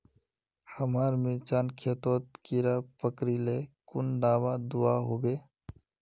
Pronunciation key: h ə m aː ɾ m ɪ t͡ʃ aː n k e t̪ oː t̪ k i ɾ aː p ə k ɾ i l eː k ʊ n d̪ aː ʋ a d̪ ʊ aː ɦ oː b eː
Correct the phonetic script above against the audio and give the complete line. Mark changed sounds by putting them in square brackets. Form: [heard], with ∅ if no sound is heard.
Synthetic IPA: h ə m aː ɾ m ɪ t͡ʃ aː n [kʰ] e t̪ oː t̪ k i ɾ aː p ə k ɾ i l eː k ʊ n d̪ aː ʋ a d̪ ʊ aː ɦ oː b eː